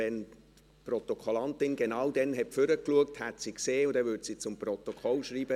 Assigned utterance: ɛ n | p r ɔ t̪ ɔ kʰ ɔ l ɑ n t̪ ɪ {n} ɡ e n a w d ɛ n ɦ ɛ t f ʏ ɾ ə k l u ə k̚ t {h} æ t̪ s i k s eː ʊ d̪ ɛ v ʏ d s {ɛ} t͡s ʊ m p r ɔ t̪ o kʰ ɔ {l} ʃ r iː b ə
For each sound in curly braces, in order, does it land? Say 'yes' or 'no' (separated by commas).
yes, yes, no, yes